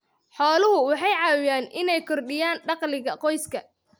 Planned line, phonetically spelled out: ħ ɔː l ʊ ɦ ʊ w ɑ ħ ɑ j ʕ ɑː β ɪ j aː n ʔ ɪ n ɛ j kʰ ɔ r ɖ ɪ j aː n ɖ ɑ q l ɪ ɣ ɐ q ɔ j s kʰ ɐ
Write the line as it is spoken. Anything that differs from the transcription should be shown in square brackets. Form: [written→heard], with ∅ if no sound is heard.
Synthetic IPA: ħ ɔː l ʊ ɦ ʊ w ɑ ħ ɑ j ʕ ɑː [β→w] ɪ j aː n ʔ ɪ n ɛ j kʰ ɔ r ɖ ɪ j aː n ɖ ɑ q l ɪ ɣ ɐ q ɔ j s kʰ ɐ